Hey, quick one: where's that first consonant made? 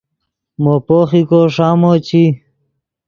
lips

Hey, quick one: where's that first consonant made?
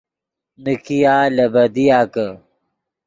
tongue tip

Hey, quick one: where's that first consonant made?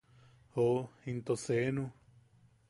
throat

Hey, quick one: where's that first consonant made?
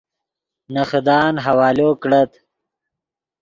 tongue tip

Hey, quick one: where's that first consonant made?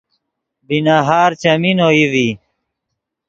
lips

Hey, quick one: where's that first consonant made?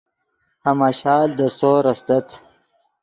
throat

